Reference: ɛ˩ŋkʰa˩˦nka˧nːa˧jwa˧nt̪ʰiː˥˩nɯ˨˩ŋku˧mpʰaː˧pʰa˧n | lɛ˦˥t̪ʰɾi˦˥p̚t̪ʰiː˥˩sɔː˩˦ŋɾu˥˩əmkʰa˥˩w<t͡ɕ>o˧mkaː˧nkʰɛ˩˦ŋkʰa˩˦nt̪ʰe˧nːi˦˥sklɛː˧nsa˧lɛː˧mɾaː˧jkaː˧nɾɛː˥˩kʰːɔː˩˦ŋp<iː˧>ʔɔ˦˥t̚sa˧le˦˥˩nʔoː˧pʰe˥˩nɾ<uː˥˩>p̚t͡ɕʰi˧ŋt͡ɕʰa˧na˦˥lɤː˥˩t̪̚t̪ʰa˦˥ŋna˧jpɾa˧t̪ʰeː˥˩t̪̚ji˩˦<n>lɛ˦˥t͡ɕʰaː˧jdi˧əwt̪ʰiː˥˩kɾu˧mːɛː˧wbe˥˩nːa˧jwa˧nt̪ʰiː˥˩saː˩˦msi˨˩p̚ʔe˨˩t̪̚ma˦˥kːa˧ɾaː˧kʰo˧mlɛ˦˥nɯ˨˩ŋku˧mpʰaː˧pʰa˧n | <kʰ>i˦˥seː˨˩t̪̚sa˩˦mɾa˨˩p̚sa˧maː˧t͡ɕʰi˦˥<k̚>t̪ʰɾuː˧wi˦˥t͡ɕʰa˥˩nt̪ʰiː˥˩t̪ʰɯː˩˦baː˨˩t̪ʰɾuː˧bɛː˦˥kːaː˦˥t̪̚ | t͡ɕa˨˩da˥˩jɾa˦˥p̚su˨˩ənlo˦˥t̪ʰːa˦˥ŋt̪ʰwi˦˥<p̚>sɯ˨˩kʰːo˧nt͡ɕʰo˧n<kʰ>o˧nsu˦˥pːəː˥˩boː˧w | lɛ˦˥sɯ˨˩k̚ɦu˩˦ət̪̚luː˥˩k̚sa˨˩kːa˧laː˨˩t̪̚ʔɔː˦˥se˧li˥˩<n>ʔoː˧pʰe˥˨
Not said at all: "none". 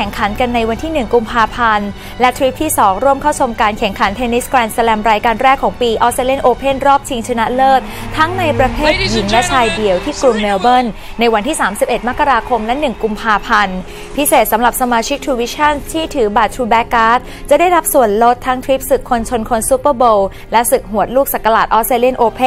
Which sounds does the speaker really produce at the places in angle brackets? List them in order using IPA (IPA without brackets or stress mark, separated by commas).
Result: t͡ɕʰ, iː˧, ɔː˥˩, ŋ, pʰ, k̚, p̚, kʰ, n